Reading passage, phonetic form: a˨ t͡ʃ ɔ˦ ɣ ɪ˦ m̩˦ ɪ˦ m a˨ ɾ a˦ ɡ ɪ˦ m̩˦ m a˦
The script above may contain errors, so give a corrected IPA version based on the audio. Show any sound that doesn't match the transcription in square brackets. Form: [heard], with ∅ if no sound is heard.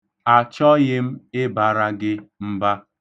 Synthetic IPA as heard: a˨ t͡ʃ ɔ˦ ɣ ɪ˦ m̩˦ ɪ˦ [b] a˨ ɾ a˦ ɡ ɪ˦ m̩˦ [b] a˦

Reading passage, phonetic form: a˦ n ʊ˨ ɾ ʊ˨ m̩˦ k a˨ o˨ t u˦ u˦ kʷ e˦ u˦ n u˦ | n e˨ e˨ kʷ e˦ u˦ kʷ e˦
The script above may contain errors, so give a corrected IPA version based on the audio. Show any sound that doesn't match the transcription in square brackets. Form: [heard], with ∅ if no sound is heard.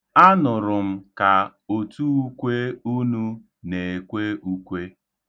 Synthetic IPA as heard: a˦ n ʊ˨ ɾ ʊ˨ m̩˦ k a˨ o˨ t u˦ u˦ kʷ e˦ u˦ n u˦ | n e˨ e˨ kʷ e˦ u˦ kʷ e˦

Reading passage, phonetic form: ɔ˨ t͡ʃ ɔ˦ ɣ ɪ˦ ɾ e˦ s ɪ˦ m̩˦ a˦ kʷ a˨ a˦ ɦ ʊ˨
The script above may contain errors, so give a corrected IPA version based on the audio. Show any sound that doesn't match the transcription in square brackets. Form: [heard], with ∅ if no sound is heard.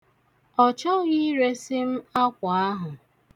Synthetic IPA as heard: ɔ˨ t͡ʃ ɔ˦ ɣ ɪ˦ ɾ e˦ s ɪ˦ m̩˦ a˦ kʷ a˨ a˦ ɦ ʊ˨

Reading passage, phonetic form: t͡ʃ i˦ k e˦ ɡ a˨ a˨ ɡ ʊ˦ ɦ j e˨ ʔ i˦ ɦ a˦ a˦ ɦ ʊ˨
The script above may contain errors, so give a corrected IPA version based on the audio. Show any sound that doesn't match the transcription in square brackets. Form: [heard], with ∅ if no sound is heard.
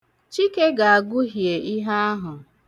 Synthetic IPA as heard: t͡ʃ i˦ k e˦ ɡ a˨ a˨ ɡ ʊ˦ ɦ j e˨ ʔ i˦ ɦ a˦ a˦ ɦ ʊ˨

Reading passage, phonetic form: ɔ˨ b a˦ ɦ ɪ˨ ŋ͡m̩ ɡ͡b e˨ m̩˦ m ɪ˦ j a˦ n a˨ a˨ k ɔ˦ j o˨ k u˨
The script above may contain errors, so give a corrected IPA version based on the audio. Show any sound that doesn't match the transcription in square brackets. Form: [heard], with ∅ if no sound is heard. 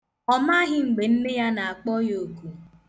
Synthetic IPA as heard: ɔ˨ [m] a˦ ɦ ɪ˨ ŋ͡m̩ ɡ͡b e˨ [n̩˦] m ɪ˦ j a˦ n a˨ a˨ [k͡p] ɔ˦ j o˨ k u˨

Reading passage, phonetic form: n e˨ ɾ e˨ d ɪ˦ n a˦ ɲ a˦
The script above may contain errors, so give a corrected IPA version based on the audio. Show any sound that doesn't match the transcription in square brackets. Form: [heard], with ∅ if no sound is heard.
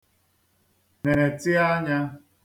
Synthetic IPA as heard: n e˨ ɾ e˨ [t] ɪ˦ [∅] a˦ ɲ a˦

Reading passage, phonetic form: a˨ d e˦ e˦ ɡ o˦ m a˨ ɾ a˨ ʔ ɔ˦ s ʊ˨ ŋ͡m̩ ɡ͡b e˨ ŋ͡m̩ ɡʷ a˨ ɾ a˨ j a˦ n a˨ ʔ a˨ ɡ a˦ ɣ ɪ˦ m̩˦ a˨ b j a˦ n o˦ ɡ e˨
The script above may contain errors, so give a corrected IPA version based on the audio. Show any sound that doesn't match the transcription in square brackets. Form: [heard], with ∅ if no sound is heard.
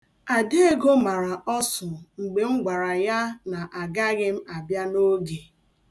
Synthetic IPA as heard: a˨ d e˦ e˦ ɡ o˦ m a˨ ɾ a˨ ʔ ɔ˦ s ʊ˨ ŋ͡m̩ ɡ͡b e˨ ŋ͡m̩ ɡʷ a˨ ɾ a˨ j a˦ n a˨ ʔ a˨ ɡ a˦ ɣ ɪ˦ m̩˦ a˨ b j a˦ n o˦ ɡ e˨

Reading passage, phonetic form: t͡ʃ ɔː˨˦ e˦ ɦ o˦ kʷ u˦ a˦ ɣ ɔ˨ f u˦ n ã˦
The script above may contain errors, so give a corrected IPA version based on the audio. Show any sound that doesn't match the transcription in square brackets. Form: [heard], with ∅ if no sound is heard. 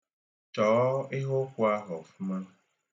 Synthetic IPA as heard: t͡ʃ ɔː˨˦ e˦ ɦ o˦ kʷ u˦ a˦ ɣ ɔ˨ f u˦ [m] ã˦

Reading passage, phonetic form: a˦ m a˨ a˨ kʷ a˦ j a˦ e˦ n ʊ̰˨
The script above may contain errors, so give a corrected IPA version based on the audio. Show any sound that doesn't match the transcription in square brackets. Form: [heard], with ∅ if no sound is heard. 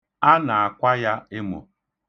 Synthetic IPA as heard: a˦ [n] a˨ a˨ kʷ a˦ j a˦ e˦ [m] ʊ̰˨

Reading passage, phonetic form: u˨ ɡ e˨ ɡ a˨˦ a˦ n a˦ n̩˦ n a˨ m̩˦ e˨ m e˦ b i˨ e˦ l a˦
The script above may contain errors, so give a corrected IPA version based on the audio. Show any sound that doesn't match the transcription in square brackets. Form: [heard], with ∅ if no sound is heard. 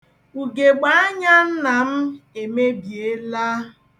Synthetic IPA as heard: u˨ ɡ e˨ [ɡ͡b] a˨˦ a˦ [ɲ] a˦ n̩˦ n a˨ m̩˦ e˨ m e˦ b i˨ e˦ l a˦

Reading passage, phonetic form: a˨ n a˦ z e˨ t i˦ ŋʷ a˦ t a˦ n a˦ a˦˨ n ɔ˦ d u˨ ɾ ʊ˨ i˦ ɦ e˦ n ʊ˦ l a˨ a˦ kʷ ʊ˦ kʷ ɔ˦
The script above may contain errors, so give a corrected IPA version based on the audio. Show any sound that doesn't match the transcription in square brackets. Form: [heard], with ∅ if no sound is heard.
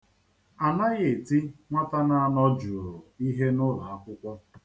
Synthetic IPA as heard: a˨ n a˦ [ɣ] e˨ t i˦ ŋʷ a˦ t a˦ n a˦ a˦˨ n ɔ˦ [d͡ʒ] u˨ ɾ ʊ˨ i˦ ɦ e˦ n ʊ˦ l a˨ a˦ kʷ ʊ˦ kʷ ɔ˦

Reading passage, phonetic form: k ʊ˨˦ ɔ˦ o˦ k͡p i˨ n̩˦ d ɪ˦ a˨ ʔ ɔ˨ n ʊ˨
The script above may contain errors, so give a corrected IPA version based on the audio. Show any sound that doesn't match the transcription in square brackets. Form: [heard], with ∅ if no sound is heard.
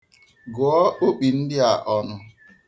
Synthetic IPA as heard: [ɡ] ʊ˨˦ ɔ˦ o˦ k͡p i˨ n̩˦ d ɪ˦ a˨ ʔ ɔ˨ n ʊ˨

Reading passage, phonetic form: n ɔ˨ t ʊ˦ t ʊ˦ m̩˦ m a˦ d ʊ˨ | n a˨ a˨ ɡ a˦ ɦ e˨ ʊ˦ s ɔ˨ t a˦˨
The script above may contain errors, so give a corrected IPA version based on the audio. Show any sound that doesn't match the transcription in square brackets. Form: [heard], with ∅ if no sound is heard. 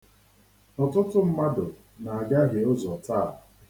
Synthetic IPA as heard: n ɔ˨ t ʊ˦ t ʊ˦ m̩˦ m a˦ d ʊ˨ | n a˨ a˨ ɡ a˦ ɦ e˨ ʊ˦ [z] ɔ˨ t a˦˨

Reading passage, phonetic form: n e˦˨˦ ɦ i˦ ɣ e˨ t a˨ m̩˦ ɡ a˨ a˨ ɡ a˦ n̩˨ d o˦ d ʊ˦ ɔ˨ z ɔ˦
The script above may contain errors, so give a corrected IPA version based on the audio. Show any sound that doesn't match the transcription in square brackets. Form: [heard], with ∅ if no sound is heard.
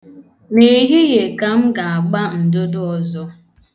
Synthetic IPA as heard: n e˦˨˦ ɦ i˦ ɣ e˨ [k] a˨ m̩˦ ɡ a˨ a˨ [ɡ͡b] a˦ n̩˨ d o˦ d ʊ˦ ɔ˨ z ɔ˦

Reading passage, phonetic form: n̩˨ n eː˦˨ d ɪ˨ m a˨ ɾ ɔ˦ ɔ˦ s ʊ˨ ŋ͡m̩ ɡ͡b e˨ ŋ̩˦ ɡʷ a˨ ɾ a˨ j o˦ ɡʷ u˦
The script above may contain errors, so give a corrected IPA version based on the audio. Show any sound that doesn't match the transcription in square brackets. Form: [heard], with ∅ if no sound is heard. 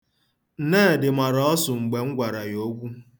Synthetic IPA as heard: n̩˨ n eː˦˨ d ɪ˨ m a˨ ɾ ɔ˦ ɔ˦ s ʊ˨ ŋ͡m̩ ɡ͡b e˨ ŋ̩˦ ɡʷ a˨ ɾ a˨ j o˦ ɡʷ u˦

